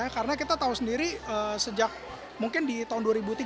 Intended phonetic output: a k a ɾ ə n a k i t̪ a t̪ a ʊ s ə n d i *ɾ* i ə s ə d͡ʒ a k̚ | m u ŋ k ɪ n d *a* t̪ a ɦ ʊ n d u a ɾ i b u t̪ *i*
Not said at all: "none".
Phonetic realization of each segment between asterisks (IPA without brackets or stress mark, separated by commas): ɾ, i, i